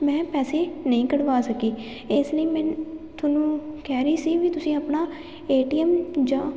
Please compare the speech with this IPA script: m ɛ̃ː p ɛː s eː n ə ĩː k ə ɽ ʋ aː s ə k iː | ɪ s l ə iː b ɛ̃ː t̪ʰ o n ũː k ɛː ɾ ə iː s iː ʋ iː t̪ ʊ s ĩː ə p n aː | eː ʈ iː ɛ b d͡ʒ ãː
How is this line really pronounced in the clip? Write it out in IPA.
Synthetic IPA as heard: m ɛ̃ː p ɛː s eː n ə ĩː k ə ɽ ʋ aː s ə k iː | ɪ s l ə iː m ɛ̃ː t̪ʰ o n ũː k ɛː ɾ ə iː s iː ʋ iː t̪ ʊ s ĩː ə p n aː | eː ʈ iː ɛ m d͡ʒ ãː